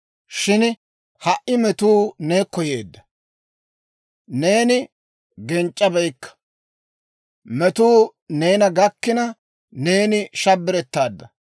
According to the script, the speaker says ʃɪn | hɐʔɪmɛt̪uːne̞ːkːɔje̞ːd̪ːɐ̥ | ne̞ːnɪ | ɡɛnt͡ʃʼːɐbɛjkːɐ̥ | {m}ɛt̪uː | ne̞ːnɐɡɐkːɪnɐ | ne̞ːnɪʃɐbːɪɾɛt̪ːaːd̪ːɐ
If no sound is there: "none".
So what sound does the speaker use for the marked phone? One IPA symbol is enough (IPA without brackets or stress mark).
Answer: m